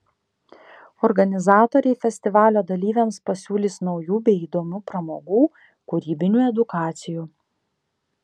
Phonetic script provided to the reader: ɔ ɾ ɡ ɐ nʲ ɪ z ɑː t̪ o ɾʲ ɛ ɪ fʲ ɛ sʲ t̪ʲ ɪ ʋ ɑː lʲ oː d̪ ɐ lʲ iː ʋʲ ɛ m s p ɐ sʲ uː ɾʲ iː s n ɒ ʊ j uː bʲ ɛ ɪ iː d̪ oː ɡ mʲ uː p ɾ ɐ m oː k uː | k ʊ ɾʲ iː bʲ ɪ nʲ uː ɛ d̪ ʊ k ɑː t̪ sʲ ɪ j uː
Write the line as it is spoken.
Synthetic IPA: ɔ ɾ ɡ ɐ nʲ ɪ z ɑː t̪ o ɾʲ ɛ ɪ fʲ ɛ sʲ t̪ʲ ɪ ʋ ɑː lʲ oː d̪ ɐ lʲ iː ʋʲ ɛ m s p ɐ sʲ uː lʲ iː s n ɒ ʊ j uː bʲ ɛ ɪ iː d̪ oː mʲ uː p ɾ ɐ m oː ɡ uː | k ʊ ɾʲ iː bʲ ɪ nʲ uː ɛ d̪ ʊ k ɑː t̪ sʲ ɪ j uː